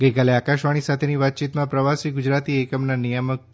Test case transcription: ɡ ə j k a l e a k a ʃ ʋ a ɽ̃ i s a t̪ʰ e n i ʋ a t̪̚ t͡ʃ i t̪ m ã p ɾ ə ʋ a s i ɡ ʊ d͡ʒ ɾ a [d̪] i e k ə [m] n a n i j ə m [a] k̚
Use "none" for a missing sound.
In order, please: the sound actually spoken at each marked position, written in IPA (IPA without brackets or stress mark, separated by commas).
t̪, m, ə